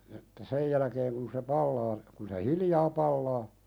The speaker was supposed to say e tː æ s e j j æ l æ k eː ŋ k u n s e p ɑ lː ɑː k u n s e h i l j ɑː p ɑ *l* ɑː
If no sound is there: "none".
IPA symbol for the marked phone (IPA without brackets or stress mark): lː